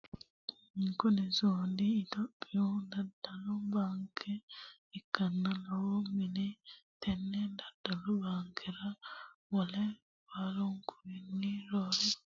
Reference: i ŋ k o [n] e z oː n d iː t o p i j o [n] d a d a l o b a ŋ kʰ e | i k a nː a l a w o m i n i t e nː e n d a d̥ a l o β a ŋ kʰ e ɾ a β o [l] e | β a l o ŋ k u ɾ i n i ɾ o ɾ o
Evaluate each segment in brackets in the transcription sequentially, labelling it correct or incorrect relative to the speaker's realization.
correct, correct, correct

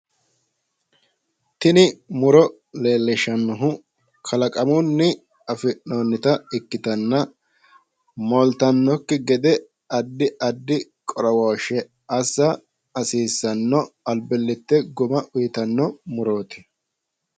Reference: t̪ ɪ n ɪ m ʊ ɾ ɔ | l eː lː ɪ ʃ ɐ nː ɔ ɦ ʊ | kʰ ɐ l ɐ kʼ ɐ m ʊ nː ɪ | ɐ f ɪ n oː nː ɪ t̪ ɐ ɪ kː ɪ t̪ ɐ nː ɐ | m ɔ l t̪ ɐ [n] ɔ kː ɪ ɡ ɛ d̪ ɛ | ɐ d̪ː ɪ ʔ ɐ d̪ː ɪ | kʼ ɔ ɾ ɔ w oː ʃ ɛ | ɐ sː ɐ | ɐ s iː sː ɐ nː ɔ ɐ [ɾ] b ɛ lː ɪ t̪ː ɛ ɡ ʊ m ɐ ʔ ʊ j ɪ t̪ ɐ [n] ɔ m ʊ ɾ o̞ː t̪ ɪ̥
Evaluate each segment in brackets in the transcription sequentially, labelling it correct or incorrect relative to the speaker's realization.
incorrect, incorrect, incorrect

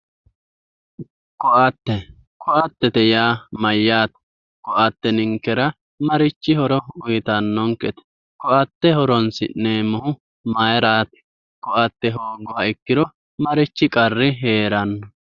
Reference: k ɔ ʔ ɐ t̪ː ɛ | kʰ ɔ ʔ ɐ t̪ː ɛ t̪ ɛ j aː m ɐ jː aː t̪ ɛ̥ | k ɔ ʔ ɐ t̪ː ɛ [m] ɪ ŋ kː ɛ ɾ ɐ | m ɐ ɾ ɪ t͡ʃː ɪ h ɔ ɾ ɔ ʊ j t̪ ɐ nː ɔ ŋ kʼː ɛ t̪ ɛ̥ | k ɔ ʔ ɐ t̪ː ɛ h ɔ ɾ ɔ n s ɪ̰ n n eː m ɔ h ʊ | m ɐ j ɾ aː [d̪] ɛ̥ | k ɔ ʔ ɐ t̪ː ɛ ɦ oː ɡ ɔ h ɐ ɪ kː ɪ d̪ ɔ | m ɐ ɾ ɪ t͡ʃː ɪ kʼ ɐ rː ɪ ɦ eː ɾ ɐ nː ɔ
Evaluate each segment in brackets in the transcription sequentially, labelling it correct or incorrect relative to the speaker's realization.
incorrect, incorrect

